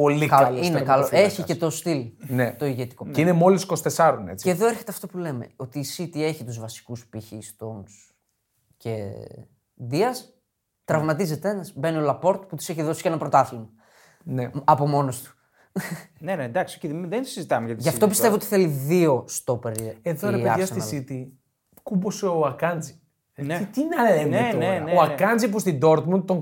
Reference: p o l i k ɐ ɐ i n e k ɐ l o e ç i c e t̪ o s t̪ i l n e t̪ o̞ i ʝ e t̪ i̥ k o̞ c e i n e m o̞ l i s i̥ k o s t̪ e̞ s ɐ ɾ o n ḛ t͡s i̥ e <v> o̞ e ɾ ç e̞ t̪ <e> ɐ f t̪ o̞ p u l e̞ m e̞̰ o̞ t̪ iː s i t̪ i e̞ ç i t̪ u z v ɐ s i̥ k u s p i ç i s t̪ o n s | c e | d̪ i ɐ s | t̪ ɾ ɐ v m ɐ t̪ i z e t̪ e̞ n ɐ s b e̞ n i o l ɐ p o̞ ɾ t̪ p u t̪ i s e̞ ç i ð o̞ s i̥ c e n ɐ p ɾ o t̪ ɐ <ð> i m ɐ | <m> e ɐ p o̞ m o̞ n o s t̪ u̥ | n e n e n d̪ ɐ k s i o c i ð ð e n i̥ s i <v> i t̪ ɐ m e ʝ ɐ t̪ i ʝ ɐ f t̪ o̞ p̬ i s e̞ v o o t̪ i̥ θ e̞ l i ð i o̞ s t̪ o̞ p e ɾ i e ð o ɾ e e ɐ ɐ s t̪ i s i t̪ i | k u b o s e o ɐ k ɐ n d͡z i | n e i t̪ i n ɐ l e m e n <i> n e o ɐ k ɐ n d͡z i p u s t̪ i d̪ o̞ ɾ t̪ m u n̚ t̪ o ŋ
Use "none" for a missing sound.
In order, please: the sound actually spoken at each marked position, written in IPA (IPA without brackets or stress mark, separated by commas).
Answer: ð, e, θ, n, z, e